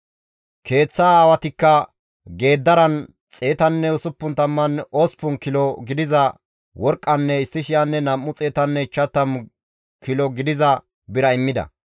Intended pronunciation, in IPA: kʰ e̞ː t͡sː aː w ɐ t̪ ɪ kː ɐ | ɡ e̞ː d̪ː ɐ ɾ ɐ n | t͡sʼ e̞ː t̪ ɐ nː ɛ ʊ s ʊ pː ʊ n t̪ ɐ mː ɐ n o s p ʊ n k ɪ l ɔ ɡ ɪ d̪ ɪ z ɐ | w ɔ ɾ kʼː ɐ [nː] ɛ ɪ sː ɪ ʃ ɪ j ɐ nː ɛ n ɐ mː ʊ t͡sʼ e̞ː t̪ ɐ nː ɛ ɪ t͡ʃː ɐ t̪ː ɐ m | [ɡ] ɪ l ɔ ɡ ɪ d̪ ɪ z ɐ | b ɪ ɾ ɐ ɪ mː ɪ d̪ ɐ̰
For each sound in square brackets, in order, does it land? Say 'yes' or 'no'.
yes, no

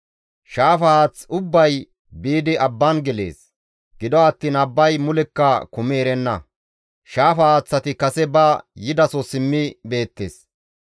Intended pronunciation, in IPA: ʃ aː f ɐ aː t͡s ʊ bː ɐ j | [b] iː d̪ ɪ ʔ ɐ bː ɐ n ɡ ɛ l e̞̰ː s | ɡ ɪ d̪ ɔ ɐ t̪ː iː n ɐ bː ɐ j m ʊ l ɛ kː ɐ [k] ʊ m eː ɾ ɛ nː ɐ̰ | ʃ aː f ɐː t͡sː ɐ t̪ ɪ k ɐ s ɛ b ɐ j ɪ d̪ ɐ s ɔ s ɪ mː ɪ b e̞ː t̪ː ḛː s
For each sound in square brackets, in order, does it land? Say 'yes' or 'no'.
yes, yes

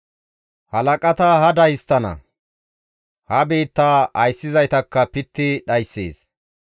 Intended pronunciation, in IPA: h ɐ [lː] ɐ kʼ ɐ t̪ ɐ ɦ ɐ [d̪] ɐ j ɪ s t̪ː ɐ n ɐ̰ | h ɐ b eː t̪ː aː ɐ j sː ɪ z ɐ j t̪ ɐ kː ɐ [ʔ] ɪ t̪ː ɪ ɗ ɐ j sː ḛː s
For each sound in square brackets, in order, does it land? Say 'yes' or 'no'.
no, yes, no

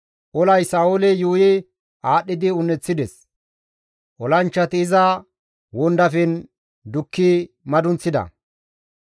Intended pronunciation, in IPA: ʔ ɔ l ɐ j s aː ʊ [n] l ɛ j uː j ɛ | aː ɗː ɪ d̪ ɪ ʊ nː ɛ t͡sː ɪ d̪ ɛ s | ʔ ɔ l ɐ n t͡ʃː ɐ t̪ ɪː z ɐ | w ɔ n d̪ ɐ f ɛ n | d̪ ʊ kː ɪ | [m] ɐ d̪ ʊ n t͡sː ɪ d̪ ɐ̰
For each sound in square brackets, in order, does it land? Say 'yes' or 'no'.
no, yes

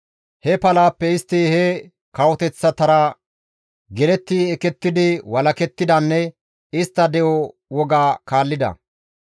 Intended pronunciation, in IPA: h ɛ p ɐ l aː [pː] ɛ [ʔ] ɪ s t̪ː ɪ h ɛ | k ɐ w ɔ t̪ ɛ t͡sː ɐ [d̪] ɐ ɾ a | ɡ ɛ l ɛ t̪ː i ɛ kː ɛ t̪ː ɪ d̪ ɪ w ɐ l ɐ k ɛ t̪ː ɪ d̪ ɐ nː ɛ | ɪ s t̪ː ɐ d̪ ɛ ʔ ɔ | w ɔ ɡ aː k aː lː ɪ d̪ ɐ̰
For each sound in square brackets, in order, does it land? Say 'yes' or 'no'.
yes, no, no

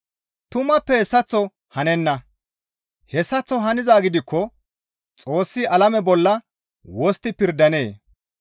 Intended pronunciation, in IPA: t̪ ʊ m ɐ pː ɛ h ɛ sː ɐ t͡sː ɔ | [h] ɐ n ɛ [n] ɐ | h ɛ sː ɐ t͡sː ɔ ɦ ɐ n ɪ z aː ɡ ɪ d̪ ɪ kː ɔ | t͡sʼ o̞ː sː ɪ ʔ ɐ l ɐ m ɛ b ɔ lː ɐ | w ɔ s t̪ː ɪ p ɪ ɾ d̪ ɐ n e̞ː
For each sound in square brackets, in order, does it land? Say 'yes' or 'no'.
yes, no

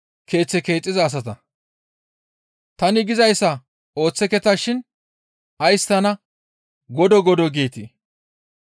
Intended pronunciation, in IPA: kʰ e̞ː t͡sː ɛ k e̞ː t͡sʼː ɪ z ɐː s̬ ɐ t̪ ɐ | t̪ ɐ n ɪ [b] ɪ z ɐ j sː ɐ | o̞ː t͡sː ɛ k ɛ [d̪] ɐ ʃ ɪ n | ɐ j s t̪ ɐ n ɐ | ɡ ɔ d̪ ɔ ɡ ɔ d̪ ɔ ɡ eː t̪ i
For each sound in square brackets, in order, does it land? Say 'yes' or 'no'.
no, no

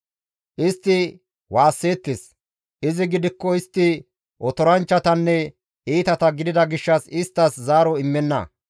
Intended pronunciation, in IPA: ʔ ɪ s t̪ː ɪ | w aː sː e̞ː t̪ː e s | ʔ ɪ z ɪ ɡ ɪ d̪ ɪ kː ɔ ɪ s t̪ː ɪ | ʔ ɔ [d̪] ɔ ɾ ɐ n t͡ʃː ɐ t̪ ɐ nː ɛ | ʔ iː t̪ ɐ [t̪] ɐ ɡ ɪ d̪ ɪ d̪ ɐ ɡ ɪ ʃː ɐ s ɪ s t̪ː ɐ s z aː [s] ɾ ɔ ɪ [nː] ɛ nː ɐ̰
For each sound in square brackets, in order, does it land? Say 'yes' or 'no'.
no, yes, no, no

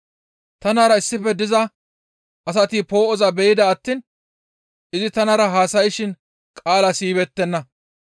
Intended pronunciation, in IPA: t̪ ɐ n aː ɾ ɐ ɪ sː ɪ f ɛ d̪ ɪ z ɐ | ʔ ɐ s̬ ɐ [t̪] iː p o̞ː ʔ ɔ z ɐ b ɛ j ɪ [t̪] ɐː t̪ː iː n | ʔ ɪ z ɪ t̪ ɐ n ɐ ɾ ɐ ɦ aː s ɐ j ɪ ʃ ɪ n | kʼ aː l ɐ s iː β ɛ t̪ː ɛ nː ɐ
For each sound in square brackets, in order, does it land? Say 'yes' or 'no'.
yes, no

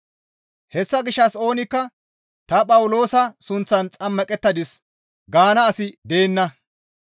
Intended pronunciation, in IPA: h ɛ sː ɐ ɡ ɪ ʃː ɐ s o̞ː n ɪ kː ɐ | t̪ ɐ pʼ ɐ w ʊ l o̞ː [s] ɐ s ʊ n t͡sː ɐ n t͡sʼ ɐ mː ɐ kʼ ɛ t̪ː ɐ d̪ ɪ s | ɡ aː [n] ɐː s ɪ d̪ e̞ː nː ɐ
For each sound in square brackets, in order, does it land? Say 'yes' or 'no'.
yes, yes

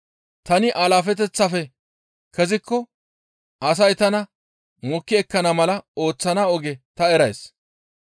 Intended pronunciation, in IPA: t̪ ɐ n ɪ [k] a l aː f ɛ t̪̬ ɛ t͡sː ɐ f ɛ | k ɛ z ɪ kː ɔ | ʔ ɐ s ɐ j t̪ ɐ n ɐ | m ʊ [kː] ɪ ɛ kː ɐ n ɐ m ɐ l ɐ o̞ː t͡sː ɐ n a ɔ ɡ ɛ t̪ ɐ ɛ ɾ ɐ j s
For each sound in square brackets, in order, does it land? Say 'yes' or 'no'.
no, yes

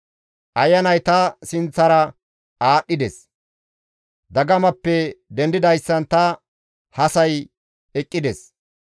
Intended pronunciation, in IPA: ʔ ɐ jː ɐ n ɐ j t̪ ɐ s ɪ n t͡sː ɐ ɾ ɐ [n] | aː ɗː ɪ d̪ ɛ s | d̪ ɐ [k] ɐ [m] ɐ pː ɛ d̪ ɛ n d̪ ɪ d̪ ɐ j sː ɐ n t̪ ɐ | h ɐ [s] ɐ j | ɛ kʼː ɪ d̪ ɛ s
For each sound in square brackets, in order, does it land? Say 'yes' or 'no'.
no, no, yes, yes

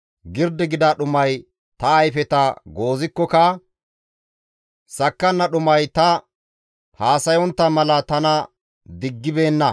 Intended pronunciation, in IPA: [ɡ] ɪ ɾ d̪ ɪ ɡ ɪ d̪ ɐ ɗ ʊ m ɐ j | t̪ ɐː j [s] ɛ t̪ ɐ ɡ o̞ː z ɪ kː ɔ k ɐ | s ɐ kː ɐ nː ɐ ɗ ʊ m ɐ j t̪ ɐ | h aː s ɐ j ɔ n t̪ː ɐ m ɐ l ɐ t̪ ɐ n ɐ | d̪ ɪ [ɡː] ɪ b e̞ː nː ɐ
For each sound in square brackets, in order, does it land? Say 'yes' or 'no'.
yes, no, yes

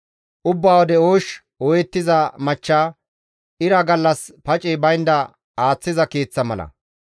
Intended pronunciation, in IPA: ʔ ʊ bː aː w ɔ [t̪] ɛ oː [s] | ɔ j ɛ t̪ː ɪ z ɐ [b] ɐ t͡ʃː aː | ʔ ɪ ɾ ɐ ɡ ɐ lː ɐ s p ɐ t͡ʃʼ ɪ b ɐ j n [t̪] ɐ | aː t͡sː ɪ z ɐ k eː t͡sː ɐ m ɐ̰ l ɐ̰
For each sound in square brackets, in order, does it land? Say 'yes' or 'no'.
no, no, no, no

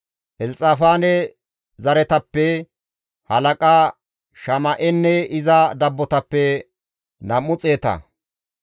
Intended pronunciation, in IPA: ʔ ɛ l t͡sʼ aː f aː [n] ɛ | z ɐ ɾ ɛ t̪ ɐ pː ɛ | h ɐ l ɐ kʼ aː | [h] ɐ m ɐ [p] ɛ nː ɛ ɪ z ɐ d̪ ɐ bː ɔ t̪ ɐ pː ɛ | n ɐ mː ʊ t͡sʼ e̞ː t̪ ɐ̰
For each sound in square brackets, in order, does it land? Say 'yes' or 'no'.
yes, no, no

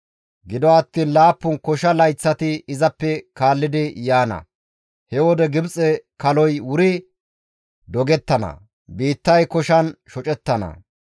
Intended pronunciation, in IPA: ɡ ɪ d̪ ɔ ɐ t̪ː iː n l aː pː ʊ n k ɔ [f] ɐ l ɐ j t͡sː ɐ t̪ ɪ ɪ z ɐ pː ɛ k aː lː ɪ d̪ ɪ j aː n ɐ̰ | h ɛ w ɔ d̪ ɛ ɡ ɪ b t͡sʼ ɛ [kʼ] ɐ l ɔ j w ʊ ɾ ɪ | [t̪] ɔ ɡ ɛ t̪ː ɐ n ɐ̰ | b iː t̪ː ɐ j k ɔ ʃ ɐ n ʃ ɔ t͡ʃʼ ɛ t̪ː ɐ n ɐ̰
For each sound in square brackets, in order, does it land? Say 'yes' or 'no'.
no, no, no

